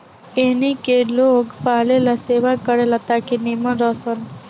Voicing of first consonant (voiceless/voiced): voiced